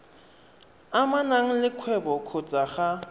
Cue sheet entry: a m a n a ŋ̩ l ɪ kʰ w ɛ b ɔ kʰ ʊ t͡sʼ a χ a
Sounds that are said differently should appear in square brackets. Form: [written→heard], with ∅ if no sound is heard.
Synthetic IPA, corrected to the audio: a m a n a ŋ̩ l ɪ kʰ w ɛ b ɔ kʰ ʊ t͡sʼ a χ a